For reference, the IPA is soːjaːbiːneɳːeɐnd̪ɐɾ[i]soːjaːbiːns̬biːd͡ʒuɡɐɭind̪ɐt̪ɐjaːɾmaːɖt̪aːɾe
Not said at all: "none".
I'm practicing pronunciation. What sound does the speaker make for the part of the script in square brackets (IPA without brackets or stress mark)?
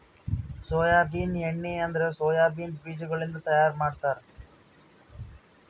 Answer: e